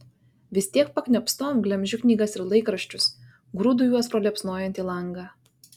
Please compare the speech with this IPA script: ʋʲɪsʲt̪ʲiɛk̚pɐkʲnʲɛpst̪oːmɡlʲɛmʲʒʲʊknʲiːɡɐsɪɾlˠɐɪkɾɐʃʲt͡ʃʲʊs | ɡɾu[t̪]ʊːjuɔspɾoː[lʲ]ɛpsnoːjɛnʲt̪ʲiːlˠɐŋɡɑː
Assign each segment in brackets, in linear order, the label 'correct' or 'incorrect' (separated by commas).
incorrect, correct